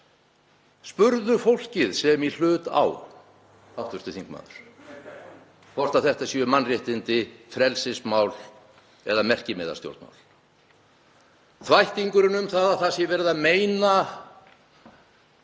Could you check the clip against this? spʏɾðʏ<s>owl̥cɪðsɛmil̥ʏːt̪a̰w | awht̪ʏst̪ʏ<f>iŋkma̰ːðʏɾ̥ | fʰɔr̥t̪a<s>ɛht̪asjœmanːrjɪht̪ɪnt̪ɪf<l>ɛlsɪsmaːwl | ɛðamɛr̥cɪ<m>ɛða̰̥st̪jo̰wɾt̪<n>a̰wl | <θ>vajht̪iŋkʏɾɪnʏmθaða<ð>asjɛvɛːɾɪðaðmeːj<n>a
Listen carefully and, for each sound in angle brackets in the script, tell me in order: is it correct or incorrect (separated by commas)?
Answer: incorrect, incorrect, incorrect, incorrect, correct, incorrect, correct, incorrect, correct